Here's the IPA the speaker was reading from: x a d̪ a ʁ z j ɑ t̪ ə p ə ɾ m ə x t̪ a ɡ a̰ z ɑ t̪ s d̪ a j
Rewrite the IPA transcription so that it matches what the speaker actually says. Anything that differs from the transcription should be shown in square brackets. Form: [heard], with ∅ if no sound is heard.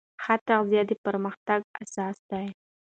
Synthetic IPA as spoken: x a [t̪] a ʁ z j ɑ [d̪] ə p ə ɾ m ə x t̪ a ɡ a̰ [s] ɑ [∅] s d̪ a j